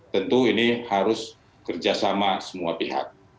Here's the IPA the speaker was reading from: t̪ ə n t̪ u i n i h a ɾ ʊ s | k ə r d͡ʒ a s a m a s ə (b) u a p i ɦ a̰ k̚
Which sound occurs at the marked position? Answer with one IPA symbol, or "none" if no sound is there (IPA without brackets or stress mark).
m